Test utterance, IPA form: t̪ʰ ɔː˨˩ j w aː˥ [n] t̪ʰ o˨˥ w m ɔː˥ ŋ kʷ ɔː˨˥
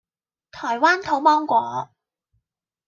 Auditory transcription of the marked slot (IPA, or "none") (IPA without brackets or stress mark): n